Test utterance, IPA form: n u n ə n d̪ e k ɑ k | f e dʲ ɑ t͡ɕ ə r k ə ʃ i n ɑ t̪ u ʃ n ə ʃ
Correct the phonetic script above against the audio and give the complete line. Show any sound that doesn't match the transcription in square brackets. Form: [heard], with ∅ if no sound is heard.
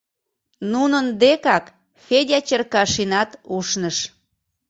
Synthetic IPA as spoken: n u n ə n d̪ e k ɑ k | f e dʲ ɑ t͡ɕ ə r k [ɑ] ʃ i n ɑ t̪ u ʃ n ə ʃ